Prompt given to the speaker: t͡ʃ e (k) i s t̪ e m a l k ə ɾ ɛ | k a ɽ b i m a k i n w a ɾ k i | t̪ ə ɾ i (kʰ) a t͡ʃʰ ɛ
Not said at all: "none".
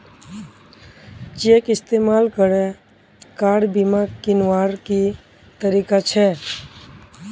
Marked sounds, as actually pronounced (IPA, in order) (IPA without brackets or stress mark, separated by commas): k, k